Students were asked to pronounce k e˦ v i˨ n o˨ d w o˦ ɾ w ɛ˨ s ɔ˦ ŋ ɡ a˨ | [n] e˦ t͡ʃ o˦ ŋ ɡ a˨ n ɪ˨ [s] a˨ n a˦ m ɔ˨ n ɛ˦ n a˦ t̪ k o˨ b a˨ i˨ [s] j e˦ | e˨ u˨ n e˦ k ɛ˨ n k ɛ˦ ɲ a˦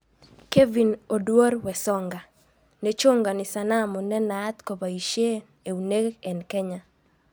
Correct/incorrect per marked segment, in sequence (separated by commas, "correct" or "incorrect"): correct, correct, incorrect